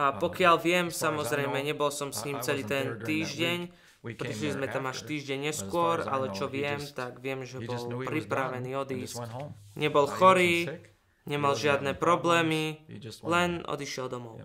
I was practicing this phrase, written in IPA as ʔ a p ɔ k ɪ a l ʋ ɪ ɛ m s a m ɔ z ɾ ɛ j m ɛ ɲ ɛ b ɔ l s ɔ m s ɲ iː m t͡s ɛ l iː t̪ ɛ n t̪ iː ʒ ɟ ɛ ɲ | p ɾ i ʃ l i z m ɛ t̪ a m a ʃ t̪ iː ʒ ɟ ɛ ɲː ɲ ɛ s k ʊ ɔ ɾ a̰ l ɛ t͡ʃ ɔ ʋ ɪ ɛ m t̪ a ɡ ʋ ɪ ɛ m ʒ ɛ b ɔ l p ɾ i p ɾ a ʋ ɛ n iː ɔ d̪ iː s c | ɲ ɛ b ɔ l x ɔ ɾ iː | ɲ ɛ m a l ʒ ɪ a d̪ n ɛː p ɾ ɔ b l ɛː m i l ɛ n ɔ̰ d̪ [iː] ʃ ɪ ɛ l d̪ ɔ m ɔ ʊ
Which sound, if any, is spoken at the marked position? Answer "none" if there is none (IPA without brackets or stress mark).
i